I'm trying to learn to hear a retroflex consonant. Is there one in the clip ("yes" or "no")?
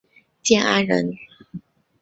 yes